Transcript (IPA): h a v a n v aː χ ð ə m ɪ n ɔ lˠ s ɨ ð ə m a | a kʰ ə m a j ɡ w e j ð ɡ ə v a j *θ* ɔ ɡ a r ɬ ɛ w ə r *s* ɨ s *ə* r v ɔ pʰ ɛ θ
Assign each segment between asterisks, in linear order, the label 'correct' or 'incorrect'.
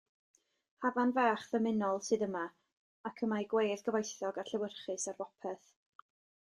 correct, incorrect, incorrect

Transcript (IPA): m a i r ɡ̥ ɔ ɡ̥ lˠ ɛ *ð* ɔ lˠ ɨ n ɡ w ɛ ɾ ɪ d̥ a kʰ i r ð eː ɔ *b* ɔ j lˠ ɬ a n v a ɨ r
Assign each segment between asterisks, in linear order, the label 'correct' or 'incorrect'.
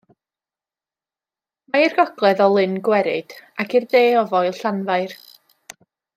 correct, incorrect

